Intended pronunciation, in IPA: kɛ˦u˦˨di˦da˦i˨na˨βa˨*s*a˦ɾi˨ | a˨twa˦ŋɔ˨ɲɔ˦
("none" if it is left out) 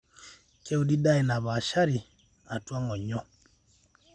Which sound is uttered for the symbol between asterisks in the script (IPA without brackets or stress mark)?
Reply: ʃ